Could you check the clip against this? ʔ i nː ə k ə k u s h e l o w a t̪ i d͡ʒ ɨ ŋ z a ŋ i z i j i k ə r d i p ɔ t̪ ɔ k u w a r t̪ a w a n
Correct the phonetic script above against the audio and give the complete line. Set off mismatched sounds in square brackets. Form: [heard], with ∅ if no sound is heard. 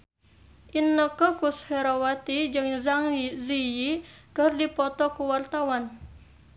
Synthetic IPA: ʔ i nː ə k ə k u s h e [ɾ] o w a t̪ i d͡ʒ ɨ ŋ z a ŋ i z i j i k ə r d i p ɔ t̪ ɔ k u w a r t̪ a w a n